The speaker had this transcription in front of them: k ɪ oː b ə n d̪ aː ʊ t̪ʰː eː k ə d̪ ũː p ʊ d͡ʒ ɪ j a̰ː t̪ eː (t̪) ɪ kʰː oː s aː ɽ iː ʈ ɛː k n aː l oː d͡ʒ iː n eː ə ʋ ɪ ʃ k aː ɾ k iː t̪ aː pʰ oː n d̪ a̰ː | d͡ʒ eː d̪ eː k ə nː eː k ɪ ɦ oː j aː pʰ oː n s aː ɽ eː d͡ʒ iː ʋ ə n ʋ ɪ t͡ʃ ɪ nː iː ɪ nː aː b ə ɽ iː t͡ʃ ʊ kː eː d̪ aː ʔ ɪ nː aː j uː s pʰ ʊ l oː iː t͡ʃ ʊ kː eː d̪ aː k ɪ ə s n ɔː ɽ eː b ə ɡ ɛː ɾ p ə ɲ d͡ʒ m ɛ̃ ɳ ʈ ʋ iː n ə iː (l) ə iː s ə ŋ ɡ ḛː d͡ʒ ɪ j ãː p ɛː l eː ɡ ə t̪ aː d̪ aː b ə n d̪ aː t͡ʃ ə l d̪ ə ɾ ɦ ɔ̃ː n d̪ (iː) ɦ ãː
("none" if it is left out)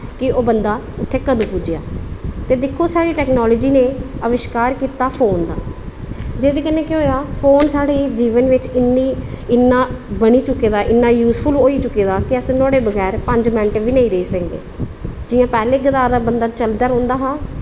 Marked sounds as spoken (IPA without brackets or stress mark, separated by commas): d̪, ɾ, aː